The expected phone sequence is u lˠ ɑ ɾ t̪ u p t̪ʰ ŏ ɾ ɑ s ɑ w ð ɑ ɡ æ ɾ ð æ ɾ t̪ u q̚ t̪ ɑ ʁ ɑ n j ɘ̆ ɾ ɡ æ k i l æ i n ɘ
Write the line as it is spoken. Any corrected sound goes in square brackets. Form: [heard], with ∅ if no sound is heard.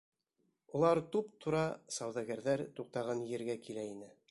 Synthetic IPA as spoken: u lˠ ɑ ɾ t̪ u p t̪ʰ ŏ ɾ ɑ s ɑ w ð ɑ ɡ æ ɾ ð æ ɾ t̪ u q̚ t̪ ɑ ʁ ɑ n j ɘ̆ ɾ ɡ æ k i l æ i n ɘ